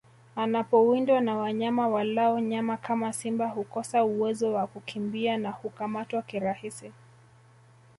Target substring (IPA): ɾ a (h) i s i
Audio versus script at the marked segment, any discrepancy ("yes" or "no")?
no